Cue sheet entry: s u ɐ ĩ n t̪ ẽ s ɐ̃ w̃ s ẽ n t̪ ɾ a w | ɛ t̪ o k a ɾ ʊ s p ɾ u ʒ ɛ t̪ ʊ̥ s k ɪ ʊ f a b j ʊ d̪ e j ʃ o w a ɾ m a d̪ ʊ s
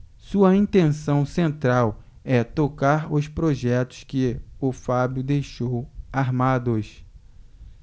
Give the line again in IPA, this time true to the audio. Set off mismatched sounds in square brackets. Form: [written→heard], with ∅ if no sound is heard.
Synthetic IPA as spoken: s u ɐ ĩ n t̪ ẽ s ɐ̃ w̃ s ẽ n t̪ ɾ a w | ɛ t̪ o k a ɾ ʊ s p ɾ [u→o] ʒ ɛ t̪ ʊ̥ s k ɪ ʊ f a b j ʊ d̪ e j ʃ o w a ɾ m a d̪ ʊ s